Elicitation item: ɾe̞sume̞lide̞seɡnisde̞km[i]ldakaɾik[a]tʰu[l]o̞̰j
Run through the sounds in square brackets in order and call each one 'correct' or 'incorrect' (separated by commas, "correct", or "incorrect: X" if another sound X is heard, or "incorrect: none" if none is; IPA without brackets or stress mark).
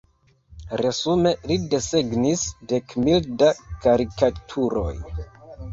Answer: correct, correct, incorrect: ɾ